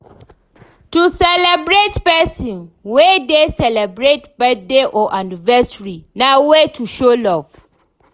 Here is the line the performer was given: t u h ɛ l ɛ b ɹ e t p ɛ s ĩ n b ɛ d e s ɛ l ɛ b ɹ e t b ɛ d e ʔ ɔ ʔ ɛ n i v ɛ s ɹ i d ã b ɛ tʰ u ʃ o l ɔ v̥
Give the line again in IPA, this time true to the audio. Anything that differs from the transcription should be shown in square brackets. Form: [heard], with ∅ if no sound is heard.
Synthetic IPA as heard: t u [s] ɛ l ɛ b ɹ e t p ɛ s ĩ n [w] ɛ d e s ɛ l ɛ b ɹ e t b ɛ d e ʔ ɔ ʔ [a] n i v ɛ s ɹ i [n] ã [w] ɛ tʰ u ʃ o l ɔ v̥